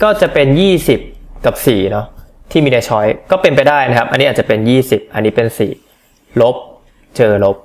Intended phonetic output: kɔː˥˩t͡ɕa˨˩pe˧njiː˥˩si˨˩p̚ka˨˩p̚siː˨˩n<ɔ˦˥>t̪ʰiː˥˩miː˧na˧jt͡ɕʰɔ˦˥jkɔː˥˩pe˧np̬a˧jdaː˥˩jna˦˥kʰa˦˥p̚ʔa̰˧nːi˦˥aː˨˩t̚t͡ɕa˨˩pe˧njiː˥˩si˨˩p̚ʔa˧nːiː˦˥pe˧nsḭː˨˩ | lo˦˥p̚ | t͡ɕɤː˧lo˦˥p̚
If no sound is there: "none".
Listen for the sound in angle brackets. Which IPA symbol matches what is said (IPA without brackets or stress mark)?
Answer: ɔ˦˥